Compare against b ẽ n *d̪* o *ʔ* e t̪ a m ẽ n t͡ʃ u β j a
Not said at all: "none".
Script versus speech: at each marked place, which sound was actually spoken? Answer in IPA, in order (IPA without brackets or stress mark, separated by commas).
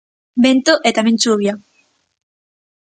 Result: t̪, ʔ